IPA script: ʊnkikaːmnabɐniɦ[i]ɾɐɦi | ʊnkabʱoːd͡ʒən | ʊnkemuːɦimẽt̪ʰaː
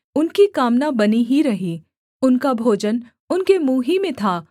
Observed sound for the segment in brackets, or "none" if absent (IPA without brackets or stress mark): i